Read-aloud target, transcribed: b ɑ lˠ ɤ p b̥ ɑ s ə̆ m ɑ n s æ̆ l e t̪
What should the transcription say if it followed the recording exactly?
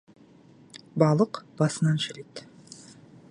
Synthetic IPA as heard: b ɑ lˠ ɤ q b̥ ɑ s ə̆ n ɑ n ʃ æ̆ l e t̪